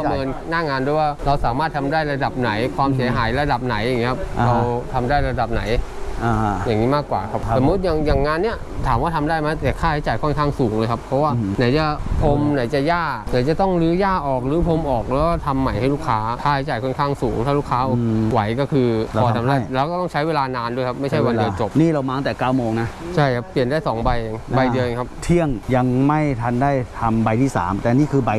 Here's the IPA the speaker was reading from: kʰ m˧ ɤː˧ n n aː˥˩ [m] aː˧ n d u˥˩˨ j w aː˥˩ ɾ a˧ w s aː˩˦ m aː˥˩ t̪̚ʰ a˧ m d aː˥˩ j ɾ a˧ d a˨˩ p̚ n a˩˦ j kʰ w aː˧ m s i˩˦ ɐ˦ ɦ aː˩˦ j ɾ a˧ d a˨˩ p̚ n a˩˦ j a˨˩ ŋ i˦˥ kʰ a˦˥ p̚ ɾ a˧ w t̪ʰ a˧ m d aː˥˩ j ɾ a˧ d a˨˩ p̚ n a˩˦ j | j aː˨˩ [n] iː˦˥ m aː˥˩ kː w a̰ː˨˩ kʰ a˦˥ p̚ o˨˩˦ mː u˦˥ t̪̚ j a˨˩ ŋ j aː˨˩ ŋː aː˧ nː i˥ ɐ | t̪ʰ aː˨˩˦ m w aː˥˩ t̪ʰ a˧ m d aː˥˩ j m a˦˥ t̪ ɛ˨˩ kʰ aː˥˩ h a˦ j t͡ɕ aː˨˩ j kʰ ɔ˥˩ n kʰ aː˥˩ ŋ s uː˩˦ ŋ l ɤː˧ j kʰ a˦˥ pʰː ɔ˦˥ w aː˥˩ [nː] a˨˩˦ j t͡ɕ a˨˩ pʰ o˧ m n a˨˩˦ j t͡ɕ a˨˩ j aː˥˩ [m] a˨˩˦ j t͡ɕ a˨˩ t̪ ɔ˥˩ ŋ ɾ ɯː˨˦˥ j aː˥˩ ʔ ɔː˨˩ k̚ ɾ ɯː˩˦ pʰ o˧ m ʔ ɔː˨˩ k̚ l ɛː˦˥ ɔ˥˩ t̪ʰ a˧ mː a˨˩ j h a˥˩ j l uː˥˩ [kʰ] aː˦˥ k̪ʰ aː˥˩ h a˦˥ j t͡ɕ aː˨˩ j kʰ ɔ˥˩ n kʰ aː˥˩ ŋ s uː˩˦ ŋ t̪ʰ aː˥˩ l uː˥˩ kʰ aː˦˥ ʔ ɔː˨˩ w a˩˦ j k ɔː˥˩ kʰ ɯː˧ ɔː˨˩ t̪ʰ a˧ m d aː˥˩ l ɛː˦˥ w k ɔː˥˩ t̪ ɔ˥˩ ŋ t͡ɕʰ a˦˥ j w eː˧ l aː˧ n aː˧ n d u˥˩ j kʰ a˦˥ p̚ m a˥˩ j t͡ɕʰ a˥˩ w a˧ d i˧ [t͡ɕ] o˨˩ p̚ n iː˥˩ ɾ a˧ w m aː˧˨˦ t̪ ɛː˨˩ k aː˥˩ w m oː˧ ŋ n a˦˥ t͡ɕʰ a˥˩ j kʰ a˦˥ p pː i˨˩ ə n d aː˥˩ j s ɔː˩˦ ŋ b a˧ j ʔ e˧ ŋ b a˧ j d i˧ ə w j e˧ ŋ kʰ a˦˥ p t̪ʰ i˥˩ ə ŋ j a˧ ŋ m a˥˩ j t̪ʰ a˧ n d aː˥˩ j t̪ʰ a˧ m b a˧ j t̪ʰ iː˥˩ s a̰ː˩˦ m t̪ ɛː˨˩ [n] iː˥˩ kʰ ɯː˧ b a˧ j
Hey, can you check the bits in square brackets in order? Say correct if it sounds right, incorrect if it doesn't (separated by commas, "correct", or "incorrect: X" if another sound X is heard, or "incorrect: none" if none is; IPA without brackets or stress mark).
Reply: incorrect: ŋ, incorrect: ŋ, incorrect: n, incorrect: n, correct, correct, correct